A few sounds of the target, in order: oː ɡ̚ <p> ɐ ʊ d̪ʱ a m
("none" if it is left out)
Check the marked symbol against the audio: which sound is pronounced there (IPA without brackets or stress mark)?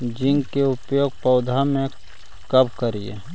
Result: p